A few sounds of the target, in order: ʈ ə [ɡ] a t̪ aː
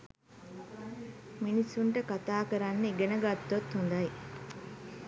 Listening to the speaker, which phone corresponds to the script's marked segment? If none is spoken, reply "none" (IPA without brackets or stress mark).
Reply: k